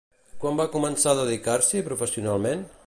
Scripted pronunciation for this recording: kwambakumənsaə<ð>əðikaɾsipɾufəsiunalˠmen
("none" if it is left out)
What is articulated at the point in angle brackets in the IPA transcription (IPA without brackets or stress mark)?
ð